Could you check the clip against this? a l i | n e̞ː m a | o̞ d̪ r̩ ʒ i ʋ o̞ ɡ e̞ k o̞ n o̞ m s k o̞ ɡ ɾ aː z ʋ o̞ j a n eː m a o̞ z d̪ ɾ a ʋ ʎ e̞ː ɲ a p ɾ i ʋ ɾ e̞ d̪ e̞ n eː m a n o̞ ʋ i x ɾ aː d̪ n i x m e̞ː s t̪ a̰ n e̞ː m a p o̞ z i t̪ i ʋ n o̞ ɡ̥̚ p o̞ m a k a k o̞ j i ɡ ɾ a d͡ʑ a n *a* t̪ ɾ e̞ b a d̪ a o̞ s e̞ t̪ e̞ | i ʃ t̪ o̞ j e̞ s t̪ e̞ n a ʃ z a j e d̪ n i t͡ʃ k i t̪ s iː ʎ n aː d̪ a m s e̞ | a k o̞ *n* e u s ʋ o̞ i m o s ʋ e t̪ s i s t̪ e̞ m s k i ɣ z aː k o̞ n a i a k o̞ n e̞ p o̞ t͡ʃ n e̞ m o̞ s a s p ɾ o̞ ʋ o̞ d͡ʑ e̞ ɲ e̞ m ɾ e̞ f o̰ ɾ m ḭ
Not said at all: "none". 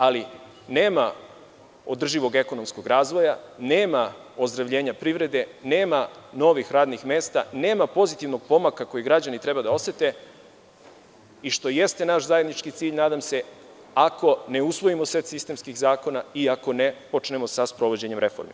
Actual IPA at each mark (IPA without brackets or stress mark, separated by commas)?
i, n